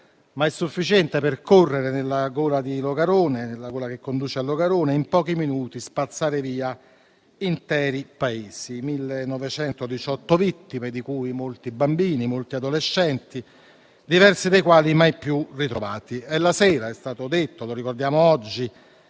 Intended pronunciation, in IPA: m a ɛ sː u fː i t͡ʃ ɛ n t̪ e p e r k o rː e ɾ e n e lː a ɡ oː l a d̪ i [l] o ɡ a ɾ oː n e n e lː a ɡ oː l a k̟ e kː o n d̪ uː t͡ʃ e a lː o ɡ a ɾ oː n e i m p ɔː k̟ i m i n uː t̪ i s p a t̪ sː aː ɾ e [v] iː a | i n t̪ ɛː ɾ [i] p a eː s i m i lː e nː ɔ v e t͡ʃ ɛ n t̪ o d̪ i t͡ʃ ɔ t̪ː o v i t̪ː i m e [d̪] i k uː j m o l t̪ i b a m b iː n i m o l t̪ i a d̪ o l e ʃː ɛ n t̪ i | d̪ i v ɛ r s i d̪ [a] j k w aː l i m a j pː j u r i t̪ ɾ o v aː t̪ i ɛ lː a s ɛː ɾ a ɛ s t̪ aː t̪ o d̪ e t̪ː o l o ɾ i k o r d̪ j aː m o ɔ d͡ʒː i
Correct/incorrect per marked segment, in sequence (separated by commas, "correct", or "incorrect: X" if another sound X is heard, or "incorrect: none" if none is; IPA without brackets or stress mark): correct, correct, correct, correct, incorrect: e